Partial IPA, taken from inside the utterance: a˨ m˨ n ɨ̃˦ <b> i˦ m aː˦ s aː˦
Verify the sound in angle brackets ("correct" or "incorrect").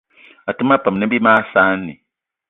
correct